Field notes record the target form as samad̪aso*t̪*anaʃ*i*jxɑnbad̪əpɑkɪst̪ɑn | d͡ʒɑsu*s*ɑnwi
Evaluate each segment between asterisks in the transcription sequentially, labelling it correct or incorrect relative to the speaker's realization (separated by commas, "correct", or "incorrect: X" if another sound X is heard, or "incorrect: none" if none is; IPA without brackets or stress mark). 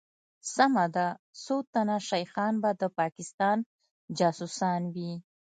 correct, incorrect: a, correct